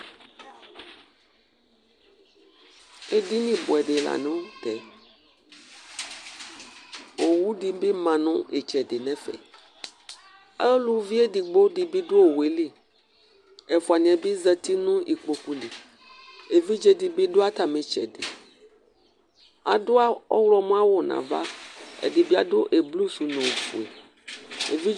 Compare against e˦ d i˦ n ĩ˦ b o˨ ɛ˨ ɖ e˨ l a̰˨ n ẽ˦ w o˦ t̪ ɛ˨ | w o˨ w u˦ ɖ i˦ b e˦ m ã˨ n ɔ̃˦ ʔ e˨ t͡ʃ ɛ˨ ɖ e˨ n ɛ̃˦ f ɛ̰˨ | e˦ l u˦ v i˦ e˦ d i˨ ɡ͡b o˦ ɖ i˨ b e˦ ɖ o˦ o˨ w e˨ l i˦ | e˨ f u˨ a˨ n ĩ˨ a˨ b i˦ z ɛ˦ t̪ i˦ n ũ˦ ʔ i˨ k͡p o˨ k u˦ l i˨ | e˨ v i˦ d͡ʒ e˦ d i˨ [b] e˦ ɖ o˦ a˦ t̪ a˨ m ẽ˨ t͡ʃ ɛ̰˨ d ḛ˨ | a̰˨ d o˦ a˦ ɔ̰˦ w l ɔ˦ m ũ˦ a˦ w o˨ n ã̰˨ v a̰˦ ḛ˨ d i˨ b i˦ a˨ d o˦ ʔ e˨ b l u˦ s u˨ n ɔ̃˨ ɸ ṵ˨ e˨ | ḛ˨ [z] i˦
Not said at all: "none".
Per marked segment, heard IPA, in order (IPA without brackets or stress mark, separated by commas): b, v